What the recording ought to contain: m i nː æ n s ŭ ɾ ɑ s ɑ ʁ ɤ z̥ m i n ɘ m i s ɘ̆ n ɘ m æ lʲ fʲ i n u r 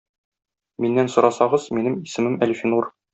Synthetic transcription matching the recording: m i nː æ n s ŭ ɾ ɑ s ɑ ʁ ɤ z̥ m i n ɘ m i s ɘ̆ m ɘ m æ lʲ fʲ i n u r